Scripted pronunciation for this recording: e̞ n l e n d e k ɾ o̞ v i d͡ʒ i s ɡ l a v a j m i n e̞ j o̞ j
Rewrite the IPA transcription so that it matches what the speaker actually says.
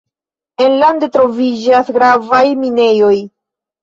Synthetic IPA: e̞ n l a n d e t ɾ o̞ v i d͡ʒ a s ɡ ɾ a v a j m i n e̞ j o̞ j